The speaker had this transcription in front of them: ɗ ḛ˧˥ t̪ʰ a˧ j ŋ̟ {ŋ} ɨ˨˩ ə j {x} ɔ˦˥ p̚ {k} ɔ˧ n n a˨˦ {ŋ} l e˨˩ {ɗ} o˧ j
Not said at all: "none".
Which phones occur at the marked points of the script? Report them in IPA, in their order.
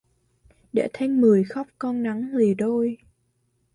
m, x, k, ŋ, ɗ

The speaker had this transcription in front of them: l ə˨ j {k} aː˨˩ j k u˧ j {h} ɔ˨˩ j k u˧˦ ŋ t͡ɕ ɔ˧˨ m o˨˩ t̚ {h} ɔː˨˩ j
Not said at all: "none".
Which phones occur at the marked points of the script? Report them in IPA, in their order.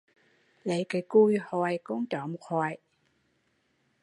k, h, h

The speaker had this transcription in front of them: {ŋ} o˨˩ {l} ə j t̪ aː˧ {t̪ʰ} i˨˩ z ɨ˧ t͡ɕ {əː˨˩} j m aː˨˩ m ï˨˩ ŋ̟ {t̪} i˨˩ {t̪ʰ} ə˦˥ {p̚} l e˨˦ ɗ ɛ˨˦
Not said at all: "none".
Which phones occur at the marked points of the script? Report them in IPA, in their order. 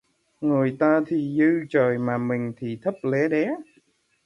ŋ, none, t̪ʰ, əː˨˩, t̪ʰ, t̪ʰ, p̚

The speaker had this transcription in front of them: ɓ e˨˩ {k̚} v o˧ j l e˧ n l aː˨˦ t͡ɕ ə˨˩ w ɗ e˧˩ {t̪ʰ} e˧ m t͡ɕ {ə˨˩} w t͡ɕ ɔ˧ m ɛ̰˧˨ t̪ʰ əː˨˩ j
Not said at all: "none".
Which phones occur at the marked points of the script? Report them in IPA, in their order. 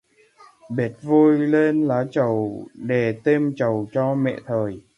t̚, t̪, ə˨˩

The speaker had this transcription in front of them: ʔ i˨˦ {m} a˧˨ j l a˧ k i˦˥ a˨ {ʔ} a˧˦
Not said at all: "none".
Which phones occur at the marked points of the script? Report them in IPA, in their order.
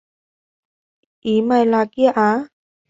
m, ʔ

